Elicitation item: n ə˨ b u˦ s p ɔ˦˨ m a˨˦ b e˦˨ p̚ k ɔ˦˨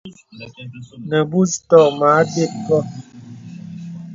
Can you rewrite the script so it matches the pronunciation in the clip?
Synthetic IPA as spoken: n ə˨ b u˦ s t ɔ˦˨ m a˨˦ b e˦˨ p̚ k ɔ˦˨